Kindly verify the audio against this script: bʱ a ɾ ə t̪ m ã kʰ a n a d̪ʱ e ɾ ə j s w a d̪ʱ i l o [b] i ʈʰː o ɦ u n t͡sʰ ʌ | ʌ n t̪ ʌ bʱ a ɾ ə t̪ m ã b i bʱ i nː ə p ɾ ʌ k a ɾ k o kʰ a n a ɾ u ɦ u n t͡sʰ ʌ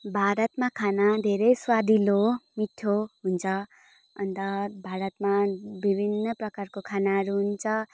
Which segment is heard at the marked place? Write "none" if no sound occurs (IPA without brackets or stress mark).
m